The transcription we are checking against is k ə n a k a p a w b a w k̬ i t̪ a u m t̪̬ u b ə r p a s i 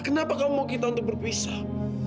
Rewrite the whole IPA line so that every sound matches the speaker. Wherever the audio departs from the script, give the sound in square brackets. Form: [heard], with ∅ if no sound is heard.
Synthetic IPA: k ə n a [p] a [k] a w [m] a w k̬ i t̪ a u [n] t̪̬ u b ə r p [i] s [a]